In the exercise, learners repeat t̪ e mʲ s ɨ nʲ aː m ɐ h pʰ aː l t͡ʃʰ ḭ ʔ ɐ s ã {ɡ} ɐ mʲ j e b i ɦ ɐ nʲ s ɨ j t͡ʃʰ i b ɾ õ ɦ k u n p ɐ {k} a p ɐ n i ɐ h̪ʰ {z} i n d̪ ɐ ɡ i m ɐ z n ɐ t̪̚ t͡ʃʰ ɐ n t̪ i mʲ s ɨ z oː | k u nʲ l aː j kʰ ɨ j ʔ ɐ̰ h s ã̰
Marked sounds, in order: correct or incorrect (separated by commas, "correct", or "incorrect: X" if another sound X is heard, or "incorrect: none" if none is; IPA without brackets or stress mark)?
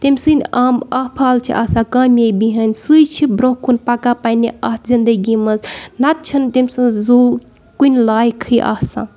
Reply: incorrect: k, correct, correct